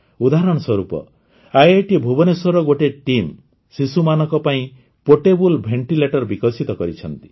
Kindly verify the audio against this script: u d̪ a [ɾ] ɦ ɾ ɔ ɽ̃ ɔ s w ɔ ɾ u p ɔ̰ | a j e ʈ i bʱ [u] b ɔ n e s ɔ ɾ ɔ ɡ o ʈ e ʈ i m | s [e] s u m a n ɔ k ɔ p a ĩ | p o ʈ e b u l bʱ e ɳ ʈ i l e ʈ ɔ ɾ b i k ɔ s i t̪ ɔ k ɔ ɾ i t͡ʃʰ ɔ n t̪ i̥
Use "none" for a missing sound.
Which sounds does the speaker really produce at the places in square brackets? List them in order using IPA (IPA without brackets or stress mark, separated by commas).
none, u, i